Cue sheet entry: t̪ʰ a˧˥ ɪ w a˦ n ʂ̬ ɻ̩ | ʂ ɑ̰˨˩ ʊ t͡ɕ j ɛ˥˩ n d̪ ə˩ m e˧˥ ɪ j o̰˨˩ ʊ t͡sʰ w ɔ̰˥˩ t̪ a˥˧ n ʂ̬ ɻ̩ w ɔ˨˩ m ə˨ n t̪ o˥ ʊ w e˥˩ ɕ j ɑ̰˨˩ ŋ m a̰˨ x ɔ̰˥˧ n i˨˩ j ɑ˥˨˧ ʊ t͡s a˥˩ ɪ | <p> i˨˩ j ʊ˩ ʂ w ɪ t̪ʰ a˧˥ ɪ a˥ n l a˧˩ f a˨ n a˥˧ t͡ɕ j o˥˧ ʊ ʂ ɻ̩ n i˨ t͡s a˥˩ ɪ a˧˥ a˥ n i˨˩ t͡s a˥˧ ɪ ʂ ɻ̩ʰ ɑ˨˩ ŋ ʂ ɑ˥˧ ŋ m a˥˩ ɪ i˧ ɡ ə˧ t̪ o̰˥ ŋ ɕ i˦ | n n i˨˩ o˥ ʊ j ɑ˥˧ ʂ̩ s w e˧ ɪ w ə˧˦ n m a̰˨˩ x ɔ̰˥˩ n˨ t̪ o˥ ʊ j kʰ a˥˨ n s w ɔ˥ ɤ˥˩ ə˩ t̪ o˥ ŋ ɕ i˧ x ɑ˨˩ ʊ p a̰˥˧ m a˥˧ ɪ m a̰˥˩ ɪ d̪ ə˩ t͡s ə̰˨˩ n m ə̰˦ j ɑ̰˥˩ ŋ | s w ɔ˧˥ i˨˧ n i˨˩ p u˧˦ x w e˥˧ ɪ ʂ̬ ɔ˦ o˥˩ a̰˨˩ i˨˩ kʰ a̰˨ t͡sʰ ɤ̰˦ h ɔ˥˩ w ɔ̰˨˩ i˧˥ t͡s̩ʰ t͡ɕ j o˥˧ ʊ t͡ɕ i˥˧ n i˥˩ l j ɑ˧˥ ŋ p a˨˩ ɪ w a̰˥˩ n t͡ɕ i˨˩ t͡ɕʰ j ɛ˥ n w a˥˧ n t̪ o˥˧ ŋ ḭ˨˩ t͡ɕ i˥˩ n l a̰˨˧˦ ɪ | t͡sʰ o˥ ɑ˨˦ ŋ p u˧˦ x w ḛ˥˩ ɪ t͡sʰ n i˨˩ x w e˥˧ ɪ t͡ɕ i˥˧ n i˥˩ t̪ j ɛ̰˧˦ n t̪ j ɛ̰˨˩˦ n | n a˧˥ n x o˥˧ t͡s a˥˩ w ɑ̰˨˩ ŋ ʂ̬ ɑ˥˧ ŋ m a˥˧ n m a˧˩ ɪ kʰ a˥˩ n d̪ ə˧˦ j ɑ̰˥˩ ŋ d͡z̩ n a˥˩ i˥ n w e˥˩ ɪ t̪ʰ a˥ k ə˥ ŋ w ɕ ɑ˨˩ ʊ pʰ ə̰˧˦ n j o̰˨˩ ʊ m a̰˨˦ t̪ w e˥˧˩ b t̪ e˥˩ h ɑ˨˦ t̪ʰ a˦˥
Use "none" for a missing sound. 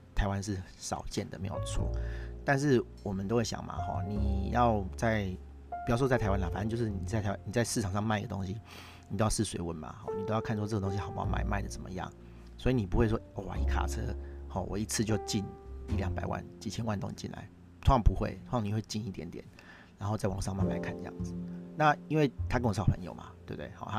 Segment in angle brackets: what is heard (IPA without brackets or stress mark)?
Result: p